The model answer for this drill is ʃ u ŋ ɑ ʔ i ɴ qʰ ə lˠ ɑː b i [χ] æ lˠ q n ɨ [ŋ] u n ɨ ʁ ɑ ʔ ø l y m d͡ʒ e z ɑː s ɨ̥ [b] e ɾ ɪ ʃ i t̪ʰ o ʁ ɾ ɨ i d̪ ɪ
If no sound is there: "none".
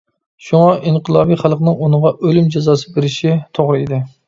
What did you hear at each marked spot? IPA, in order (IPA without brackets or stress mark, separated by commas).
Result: χ, ŋ, b